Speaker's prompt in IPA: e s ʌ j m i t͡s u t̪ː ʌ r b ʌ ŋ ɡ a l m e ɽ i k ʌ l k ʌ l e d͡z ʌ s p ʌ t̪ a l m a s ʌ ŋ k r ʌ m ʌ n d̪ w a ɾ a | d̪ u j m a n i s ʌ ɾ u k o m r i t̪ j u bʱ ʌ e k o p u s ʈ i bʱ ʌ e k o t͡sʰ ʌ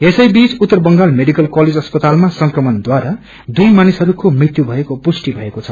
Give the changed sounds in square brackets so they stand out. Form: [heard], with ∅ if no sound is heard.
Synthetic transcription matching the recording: e s ʌ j [b] i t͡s u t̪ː ʌ r b ʌ ŋ ɡ a l m e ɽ i k ʌ l k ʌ l e d͡z ʌ s p ʌ t̪ a l m a s ʌ ŋ k r ʌ m ʌ n d̪ w a ɾ a | d̪ u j m a n i s ʌ ɾ u k o m r i t̪ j u bʱ ʌ e k o p u s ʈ i bʱ ʌ e k o t͡sʰ ʌ